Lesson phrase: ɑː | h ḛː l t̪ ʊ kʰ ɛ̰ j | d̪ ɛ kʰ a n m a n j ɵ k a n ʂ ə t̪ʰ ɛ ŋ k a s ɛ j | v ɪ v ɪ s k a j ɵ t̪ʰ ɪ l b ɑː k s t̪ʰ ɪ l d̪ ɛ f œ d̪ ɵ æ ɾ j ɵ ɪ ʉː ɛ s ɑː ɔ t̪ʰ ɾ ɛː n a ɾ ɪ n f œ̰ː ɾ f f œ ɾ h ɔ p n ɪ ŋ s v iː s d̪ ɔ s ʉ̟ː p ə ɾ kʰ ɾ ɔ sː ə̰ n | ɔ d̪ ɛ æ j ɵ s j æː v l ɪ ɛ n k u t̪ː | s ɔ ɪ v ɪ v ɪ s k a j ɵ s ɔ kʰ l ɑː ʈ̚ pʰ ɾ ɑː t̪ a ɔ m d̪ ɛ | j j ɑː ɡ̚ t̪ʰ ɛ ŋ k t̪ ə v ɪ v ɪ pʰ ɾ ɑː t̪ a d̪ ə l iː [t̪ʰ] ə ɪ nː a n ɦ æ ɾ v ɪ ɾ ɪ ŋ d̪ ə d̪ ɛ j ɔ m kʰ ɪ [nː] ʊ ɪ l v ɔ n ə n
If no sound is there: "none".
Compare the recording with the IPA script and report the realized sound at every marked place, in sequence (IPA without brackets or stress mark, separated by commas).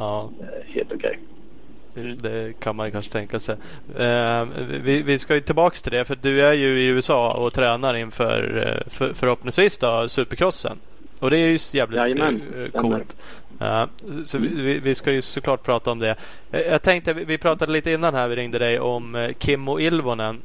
t̪, mː